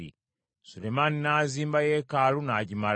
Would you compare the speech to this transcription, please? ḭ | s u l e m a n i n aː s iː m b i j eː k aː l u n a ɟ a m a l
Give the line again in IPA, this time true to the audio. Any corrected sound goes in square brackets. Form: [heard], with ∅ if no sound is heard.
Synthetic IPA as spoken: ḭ | s u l e m a n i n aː [z] iː m b [a] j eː k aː l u n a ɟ [i] m a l